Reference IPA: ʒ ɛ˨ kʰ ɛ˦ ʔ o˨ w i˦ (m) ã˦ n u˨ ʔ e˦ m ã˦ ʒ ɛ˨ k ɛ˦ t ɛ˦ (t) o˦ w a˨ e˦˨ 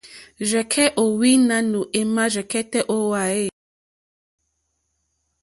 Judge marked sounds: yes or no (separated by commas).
no, no